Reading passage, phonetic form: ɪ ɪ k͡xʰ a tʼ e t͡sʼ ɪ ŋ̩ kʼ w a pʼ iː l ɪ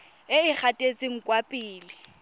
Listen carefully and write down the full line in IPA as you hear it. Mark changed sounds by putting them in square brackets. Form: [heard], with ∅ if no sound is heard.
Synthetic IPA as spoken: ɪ ɪ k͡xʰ a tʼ e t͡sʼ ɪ ŋ̩ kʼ w a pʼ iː l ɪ